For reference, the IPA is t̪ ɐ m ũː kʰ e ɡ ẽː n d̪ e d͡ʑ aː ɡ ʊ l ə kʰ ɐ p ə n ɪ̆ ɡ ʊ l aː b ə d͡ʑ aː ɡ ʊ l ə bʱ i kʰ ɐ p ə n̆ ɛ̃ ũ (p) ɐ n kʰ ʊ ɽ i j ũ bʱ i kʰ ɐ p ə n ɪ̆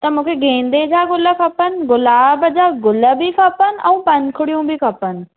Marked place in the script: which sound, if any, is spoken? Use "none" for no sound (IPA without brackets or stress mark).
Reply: p